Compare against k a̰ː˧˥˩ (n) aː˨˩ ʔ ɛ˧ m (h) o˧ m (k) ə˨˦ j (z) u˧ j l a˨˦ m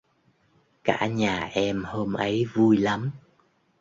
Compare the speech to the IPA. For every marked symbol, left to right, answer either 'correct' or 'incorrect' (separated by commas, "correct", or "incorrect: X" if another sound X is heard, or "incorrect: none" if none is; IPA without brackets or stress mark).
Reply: incorrect: ɲ, correct, incorrect: ʔ, incorrect: v